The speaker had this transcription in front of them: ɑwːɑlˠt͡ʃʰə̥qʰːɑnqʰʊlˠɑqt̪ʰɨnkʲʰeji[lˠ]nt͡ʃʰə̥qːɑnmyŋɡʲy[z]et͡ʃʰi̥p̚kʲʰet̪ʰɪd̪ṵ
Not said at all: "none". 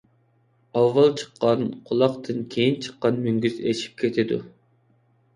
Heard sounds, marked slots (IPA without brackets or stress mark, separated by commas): none, z